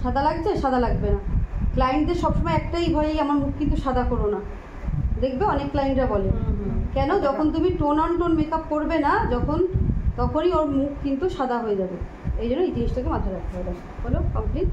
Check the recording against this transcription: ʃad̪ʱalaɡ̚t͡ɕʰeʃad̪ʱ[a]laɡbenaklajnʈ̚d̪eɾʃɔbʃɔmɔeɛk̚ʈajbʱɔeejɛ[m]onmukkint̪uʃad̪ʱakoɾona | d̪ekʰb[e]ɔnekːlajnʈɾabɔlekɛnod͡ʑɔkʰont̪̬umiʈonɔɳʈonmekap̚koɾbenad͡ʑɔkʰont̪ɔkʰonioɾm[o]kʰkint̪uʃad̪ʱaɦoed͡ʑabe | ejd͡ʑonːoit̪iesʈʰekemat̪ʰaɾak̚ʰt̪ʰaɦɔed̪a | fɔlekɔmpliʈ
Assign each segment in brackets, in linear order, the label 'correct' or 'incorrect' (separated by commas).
correct, correct, correct, incorrect